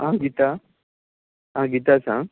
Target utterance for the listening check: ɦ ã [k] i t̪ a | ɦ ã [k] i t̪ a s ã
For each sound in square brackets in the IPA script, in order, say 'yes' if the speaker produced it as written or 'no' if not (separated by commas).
no, no